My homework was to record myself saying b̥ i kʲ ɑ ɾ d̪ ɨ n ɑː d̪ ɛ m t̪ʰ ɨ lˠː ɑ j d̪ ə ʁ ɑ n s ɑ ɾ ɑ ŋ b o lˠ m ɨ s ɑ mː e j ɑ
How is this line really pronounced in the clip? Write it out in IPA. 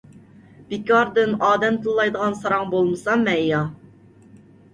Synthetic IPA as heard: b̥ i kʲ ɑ ɾ d̪ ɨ n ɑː d̪ ɛ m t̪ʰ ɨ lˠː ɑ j d̪ ə ʁ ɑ n s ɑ ɾ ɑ ŋ b o lˠ m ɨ s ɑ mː ɛ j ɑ